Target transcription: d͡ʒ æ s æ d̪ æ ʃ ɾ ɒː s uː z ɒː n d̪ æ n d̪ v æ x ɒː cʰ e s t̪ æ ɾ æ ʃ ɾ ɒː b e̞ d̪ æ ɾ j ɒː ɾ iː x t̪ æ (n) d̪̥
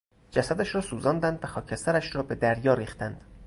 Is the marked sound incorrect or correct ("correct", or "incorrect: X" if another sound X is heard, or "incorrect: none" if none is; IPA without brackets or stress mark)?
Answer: correct